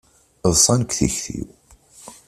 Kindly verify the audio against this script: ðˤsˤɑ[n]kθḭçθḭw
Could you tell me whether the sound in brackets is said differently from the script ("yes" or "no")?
no